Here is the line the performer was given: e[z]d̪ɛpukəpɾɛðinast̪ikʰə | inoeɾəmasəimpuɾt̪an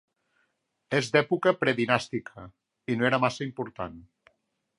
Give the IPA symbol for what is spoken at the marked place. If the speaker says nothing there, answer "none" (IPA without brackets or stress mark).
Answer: z